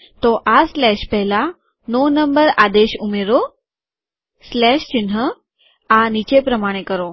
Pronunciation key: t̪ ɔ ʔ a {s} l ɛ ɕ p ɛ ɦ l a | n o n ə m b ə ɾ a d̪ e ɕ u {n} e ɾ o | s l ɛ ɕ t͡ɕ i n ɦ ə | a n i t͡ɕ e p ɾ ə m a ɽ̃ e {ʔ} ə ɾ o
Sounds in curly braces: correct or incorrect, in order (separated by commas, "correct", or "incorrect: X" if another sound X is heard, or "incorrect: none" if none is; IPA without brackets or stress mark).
correct, incorrect: m, incorrect: k